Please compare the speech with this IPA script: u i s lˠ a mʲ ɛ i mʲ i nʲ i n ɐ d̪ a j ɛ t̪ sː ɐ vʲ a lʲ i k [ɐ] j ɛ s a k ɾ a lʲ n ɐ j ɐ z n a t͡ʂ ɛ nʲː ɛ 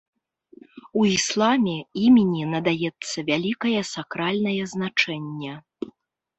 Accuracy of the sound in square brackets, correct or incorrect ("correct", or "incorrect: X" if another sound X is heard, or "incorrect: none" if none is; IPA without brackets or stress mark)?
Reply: correct